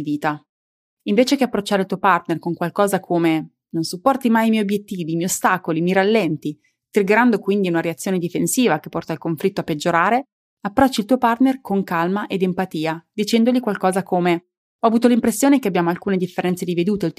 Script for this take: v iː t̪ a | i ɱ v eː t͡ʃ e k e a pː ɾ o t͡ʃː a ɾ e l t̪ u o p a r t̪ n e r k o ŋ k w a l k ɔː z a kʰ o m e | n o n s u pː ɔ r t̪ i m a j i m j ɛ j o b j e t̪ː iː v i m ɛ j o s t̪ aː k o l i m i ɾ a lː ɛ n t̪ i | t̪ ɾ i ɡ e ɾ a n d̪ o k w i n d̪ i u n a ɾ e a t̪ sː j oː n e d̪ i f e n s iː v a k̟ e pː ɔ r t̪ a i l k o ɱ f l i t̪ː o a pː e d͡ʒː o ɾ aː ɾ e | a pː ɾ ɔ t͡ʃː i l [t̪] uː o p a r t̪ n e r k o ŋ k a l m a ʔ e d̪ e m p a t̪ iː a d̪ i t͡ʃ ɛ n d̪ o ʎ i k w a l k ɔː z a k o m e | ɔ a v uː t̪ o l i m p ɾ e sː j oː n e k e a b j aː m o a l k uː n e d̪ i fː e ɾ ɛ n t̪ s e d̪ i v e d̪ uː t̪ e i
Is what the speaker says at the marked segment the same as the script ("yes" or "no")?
yes